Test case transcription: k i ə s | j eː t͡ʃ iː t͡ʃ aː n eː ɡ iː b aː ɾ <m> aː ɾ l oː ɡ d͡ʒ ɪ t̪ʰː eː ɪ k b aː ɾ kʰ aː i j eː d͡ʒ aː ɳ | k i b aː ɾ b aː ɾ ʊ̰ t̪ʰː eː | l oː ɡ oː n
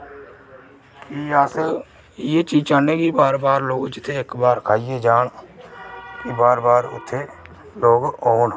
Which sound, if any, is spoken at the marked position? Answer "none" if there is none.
b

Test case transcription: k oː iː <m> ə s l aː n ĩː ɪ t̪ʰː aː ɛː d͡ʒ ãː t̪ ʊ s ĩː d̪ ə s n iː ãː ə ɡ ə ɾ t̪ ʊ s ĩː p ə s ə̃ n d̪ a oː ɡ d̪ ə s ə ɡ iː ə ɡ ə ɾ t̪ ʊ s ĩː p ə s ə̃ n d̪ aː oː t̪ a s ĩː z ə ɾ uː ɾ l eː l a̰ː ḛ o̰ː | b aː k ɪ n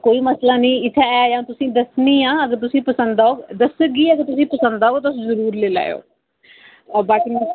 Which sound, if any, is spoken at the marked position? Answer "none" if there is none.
m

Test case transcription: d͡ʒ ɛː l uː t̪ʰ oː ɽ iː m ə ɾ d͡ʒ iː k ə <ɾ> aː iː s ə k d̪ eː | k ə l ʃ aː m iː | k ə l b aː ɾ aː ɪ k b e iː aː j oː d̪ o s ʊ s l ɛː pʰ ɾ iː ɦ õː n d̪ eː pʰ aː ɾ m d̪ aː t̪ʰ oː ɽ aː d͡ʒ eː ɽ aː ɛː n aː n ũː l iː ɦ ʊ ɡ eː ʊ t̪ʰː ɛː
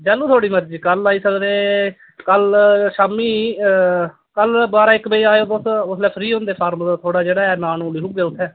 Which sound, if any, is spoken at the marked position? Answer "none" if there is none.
l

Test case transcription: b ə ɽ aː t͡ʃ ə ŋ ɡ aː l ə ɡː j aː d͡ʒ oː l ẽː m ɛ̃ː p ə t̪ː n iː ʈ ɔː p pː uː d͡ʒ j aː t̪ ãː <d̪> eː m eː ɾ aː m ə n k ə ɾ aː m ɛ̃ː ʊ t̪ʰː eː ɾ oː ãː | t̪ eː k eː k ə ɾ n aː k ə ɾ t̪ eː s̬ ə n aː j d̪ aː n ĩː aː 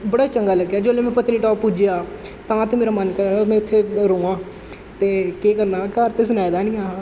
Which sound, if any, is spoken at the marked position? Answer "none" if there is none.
t̪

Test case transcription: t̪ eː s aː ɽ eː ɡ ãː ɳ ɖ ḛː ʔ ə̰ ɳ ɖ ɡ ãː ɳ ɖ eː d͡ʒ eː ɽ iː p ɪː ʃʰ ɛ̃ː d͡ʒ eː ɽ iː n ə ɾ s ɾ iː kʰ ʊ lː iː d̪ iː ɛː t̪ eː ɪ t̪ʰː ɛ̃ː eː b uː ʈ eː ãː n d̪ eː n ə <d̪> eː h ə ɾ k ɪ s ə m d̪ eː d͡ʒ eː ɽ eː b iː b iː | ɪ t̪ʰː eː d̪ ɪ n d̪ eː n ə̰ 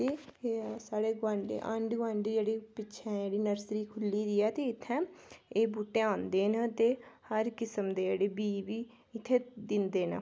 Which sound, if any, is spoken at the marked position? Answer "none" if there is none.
t̪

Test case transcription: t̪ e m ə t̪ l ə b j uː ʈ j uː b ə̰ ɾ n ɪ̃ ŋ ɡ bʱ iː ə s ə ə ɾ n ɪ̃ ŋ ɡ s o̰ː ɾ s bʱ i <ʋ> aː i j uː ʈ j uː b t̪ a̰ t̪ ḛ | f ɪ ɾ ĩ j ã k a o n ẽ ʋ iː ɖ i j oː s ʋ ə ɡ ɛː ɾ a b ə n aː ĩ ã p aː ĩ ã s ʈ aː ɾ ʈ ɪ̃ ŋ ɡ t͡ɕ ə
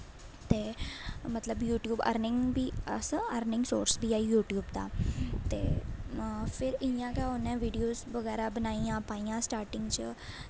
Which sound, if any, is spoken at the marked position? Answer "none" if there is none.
none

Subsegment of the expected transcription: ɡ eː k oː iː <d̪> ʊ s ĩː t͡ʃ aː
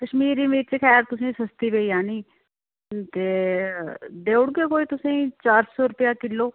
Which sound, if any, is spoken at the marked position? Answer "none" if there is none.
t̪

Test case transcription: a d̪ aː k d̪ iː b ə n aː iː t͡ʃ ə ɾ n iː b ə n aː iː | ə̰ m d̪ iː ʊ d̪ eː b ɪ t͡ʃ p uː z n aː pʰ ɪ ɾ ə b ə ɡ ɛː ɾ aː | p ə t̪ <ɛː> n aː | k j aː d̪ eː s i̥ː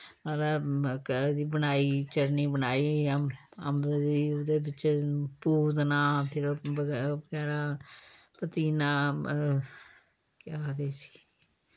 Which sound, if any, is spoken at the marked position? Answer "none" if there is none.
iː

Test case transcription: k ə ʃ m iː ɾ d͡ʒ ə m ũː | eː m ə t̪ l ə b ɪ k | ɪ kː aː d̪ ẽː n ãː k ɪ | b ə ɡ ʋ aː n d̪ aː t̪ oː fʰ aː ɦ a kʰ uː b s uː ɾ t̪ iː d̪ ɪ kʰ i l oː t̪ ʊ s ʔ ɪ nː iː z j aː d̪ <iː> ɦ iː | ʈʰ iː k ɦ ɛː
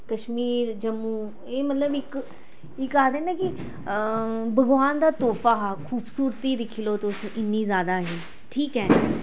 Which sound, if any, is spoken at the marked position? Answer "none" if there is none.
aː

